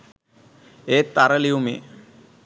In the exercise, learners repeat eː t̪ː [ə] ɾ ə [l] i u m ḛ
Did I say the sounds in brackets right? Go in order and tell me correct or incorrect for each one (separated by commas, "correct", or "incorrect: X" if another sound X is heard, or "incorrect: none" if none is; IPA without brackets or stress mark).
incorrect: a, correct